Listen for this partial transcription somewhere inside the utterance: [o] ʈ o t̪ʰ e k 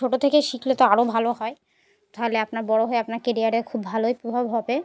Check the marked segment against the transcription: correct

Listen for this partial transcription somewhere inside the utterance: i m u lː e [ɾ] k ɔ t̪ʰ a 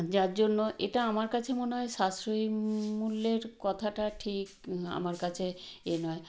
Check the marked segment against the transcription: correct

